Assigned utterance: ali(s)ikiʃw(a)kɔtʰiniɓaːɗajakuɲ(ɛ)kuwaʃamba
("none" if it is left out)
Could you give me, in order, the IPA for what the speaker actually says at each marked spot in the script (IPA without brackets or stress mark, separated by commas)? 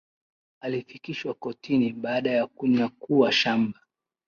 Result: f, a, a